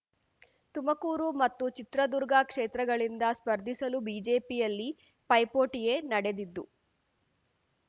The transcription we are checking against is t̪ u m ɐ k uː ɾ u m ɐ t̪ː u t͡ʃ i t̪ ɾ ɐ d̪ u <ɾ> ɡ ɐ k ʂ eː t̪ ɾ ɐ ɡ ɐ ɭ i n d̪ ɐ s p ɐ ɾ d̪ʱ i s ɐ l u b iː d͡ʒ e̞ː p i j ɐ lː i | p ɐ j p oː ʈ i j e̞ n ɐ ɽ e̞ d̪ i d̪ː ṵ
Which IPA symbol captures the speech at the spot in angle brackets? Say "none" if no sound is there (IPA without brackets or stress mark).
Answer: ɾ